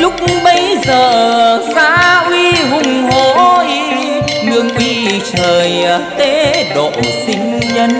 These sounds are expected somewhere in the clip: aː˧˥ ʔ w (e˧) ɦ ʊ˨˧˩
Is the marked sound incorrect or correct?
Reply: incorrect